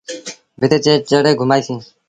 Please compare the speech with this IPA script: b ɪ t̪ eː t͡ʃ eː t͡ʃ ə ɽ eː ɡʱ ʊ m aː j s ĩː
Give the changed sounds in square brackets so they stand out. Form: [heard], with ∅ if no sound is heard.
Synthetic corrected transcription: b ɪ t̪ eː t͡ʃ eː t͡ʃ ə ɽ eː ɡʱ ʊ m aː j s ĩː